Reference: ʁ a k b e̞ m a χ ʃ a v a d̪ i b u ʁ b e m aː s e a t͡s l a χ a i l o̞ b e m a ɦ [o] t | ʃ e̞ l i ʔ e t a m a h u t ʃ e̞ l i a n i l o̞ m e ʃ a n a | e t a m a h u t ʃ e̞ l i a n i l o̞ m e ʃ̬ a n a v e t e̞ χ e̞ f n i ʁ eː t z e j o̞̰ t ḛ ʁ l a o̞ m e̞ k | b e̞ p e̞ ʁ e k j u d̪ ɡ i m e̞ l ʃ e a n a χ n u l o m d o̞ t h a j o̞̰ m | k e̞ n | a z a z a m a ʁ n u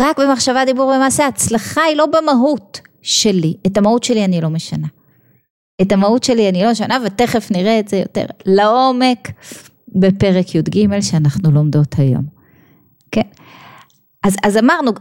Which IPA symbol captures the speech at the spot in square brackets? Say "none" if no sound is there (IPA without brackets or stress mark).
u